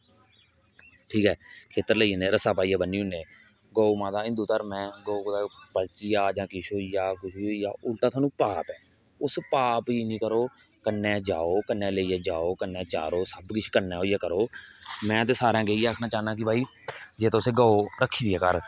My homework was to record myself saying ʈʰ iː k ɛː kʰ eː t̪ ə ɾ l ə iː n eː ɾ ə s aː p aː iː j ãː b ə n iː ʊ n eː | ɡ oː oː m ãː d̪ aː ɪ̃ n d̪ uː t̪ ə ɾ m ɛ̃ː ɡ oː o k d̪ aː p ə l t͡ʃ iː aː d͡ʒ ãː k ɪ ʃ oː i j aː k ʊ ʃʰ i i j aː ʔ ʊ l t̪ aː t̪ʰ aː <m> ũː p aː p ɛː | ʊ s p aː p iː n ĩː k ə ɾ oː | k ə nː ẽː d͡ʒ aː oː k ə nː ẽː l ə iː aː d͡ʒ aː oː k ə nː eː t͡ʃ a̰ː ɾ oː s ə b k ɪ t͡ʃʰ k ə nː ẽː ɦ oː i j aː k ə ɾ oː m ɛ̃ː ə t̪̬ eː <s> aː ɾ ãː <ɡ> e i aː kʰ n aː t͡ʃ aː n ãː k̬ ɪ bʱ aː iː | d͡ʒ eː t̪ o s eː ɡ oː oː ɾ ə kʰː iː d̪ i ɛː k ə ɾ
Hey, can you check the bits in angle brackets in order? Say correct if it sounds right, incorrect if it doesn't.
incorrect, correct, correct

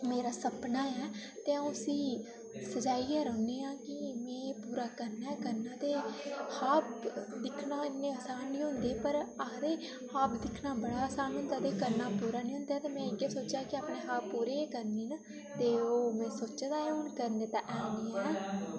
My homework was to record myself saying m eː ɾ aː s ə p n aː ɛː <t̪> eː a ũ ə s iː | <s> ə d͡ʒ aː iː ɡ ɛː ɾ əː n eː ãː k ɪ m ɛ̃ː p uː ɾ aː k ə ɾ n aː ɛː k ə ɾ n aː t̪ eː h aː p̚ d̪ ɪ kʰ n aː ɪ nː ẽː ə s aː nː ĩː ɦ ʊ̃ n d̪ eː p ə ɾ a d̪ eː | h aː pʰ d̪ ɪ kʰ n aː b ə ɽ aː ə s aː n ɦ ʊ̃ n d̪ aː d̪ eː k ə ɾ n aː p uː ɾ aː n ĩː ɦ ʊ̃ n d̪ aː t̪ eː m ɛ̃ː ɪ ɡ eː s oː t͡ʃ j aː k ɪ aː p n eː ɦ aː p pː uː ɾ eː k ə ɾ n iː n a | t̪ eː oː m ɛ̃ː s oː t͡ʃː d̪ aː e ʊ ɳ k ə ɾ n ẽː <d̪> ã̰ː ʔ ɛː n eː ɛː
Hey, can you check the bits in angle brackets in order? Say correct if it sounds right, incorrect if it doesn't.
correct, correct, incorrect

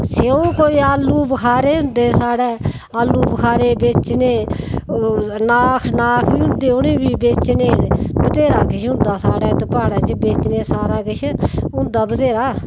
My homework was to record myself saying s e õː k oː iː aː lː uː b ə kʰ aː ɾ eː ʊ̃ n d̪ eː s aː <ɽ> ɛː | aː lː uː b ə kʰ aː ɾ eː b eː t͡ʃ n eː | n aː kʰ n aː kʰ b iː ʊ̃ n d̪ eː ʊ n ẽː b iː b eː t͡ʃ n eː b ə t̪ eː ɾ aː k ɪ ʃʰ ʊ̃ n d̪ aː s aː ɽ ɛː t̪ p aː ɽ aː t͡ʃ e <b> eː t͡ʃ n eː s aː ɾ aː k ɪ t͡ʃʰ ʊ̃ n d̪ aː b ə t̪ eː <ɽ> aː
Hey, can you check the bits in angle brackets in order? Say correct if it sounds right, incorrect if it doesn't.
correct, correct, incorrect

